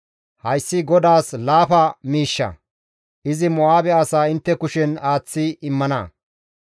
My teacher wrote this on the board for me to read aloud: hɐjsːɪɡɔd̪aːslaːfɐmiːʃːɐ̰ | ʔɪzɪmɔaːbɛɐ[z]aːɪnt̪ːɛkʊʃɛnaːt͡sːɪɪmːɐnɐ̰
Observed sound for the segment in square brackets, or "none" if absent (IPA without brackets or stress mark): s